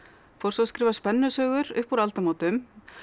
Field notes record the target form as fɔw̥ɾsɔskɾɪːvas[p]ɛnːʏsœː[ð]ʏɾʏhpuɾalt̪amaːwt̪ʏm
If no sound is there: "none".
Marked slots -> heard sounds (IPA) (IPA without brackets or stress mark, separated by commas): p, ɣ